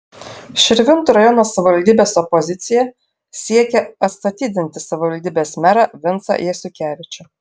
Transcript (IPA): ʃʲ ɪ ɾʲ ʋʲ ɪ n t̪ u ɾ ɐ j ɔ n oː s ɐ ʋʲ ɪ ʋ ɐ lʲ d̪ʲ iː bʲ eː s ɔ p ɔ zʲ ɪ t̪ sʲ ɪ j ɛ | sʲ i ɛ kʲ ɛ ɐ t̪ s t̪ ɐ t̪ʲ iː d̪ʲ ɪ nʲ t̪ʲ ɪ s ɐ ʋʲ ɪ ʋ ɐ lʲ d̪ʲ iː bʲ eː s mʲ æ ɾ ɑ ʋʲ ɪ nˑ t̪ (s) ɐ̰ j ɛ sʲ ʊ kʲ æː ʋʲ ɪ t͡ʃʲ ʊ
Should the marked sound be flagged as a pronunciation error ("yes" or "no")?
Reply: no